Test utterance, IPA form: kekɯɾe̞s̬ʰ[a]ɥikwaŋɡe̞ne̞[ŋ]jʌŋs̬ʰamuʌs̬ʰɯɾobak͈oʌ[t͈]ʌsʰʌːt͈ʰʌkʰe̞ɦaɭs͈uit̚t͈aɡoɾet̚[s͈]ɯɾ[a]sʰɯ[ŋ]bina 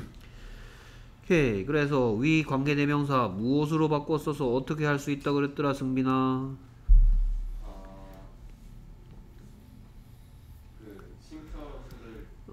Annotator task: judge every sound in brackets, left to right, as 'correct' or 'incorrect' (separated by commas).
incorrect, incorrect, incorrect, incorrect, correct, correct